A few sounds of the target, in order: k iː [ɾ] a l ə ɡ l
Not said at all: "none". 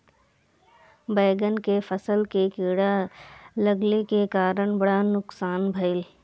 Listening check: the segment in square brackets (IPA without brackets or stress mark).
ɽ